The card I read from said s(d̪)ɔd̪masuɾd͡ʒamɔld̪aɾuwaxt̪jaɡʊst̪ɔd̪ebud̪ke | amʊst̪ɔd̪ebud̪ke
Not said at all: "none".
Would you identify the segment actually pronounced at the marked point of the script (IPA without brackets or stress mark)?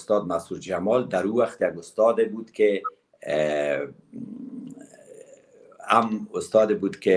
t̪